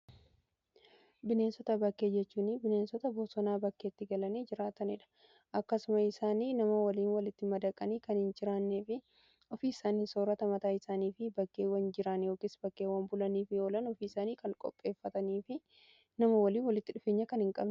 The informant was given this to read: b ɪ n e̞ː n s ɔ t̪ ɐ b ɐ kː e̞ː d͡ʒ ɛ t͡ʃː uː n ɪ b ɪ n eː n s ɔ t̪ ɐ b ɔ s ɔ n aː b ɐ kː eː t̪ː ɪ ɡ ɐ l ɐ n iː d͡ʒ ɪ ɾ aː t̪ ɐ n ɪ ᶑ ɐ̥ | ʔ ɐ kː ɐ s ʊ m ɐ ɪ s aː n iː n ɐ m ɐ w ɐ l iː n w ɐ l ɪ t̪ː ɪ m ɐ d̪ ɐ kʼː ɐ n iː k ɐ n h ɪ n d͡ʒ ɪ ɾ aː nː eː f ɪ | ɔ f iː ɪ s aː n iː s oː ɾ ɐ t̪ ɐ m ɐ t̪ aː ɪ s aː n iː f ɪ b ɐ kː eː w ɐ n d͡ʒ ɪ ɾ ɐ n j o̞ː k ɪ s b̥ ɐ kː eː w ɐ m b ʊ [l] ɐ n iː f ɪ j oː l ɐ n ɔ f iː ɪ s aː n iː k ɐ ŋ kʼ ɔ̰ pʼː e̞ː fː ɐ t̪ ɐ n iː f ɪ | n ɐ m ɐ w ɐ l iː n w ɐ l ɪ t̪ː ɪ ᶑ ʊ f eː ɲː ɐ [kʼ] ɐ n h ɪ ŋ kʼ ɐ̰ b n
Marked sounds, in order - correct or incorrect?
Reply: correct, incorrect: k

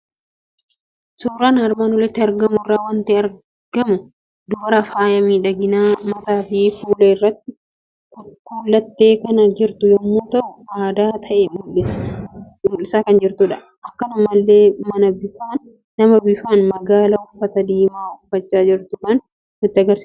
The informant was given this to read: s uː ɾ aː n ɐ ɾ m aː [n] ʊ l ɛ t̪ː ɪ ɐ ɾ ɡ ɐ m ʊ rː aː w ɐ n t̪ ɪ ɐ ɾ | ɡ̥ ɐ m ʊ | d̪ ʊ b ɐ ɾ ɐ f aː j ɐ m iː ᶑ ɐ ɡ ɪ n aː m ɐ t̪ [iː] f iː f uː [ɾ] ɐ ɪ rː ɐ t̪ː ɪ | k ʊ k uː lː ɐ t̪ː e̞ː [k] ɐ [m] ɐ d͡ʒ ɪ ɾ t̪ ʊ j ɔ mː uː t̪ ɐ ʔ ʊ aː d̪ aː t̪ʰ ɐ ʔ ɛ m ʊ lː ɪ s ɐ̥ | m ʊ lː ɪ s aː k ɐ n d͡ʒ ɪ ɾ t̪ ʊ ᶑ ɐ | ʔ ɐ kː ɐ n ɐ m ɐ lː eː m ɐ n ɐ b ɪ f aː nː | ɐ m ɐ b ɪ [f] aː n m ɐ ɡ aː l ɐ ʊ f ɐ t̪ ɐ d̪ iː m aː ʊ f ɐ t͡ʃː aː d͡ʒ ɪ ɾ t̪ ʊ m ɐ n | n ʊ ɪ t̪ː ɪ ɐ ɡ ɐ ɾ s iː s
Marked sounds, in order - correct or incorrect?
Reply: correct, incorrect: aː, incorrect: l, correct, incorrect: n, correct

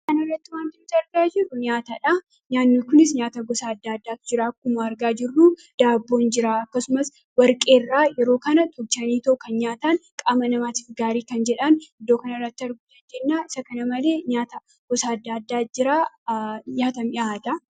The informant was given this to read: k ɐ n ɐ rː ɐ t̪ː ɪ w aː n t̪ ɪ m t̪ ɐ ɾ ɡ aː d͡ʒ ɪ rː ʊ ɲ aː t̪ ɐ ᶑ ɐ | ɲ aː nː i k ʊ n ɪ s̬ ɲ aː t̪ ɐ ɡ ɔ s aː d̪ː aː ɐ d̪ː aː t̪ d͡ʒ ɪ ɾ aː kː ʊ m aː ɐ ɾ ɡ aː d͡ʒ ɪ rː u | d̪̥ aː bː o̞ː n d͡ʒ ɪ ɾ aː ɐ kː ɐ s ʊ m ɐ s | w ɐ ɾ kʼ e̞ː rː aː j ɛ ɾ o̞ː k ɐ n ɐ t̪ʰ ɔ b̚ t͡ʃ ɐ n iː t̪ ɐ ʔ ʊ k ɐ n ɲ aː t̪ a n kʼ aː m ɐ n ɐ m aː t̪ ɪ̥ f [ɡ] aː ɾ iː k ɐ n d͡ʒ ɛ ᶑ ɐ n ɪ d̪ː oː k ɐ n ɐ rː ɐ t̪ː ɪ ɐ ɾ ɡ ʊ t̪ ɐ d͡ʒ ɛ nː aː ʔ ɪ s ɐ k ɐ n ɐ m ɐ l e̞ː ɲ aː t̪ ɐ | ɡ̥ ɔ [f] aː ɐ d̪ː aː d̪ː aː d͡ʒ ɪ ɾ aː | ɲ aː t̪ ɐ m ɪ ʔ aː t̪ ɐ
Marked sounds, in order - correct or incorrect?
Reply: correct, incorrect: s

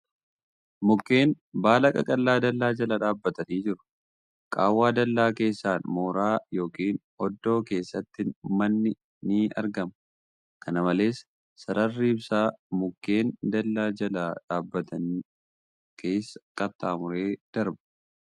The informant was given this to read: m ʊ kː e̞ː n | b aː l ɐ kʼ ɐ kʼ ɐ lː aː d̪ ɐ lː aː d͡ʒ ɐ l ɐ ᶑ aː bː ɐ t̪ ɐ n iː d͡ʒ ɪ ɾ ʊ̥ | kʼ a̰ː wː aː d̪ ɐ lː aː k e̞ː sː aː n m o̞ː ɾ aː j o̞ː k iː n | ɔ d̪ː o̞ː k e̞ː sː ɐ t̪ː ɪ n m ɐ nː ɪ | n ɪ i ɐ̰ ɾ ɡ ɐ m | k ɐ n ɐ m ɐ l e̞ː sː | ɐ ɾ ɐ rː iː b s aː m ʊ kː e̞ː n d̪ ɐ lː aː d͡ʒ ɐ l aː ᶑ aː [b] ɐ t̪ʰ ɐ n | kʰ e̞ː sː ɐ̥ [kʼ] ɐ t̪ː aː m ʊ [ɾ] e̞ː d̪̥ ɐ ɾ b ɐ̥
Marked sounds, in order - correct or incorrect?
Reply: incorrect: bː, correct, correct

